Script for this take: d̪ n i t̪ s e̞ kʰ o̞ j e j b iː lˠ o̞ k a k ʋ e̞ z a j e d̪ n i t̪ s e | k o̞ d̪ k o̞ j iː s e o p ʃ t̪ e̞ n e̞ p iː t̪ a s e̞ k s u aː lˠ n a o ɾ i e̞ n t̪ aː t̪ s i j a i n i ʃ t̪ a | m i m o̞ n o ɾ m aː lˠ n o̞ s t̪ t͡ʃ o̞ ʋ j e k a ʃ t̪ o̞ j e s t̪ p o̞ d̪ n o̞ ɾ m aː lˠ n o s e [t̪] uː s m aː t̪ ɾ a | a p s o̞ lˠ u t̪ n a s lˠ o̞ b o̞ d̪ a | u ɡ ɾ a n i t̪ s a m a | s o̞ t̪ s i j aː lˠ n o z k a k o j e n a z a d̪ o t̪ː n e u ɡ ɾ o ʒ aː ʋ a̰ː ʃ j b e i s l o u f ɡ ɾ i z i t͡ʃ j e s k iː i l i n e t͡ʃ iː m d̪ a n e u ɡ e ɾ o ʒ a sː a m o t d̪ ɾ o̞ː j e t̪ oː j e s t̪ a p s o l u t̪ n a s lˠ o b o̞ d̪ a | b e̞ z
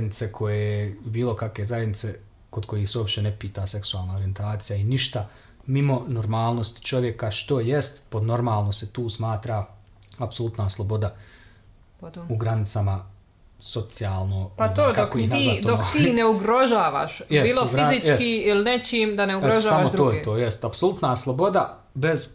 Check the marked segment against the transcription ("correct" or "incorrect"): correct